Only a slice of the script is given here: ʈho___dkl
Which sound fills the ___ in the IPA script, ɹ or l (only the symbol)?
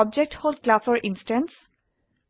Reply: l